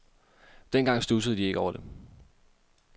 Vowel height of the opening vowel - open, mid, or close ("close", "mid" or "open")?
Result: mid